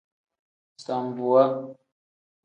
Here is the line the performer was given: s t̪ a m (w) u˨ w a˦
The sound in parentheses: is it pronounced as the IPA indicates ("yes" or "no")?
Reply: no